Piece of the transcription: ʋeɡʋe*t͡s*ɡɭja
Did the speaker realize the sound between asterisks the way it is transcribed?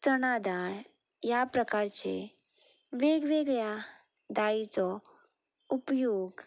no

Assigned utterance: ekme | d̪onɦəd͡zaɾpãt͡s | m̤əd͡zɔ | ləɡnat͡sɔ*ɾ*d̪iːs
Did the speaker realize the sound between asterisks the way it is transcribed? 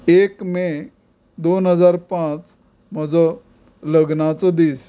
no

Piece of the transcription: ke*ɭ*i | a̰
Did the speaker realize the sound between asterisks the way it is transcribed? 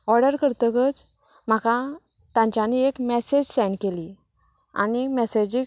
no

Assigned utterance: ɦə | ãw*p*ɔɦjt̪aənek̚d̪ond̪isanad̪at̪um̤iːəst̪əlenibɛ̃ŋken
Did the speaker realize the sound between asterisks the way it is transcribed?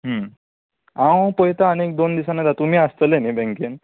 yes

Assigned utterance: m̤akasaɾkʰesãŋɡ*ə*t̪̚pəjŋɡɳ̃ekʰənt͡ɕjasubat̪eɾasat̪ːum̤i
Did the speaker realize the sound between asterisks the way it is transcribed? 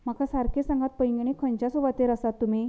no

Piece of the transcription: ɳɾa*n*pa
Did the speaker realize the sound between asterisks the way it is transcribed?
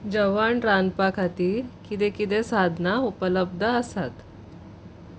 yes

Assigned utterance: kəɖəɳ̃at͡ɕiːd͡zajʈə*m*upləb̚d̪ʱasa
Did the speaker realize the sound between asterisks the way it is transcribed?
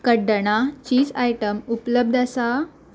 yes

